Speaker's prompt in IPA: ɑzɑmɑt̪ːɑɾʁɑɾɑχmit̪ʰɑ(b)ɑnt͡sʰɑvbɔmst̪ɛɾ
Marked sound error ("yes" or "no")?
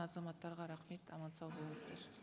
yes